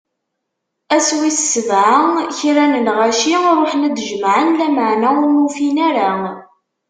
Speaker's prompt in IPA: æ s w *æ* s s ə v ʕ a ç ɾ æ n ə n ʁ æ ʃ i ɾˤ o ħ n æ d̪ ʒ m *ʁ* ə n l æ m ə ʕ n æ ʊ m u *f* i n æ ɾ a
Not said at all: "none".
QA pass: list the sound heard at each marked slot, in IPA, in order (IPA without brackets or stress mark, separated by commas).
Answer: i, ʕ, f